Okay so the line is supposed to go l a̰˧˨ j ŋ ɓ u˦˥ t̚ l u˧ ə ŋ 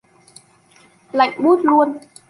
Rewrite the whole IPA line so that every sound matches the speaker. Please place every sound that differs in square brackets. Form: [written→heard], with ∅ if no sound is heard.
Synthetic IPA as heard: l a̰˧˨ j ŋ ɓ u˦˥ t̚ l u˧ ə [ŋ→n]